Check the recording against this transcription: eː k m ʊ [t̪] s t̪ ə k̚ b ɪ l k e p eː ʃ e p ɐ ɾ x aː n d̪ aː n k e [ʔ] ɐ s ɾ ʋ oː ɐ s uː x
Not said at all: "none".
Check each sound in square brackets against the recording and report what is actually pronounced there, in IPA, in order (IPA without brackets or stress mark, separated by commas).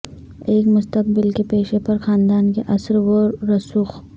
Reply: none, ʔ